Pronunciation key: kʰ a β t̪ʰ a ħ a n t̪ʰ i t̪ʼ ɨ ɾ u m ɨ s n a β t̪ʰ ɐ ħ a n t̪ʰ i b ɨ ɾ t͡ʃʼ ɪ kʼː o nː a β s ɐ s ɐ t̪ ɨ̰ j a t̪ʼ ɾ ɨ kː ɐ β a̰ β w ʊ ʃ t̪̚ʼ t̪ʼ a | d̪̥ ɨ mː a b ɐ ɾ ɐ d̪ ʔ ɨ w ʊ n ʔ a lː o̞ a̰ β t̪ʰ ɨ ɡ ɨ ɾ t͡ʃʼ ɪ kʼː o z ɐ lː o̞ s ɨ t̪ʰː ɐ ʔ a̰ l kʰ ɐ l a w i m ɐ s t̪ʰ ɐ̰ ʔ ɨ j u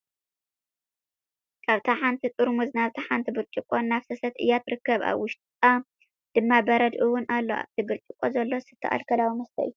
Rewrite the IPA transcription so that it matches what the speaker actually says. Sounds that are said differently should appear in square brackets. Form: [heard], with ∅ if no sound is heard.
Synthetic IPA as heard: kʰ a β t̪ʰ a ħ a n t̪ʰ i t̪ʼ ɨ ɾ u m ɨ [z] n a β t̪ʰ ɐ ħ a n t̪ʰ i b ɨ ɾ t͡ʃʼ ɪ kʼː o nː a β s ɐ s ɐ t̪ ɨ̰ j a [t̪] ɾ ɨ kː ɐ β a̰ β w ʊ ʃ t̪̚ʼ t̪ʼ a | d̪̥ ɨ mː a b ɐ ɾ ɐ d̪ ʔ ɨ w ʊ n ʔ a lː o̞ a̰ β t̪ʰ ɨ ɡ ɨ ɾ t͡ʃʼ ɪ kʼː o z ɐ lː o̞ s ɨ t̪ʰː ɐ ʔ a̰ l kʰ ɐ l a w i m ɐ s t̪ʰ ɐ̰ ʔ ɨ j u